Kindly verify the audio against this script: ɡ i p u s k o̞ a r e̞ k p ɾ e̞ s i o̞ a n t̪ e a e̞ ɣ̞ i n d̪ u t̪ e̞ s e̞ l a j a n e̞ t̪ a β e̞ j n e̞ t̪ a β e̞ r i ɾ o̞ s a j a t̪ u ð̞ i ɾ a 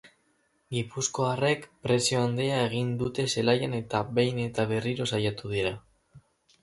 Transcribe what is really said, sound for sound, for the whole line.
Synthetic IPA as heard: ɡ i p u s k o̞ a r e̞ k p ɾ e̞ s i o̞ a n d̪ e a e̞ ɣ̞ i n d̪ u t̪ e̞ s e̞ l a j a n e̞ t̪ a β e̞ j n e̞ t̪ a β e̞ r i ɾ o̞ s a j a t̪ u ð̞ i ɾ a